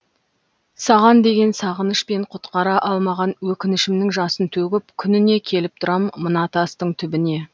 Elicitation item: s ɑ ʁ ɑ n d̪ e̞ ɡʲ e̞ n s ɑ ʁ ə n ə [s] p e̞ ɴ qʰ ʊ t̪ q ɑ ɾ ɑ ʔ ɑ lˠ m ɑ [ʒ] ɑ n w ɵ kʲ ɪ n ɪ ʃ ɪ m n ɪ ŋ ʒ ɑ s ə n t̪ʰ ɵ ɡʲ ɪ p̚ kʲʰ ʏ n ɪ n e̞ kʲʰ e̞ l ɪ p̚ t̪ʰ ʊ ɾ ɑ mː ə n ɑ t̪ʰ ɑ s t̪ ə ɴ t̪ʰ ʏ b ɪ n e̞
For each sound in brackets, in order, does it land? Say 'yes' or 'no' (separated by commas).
no, no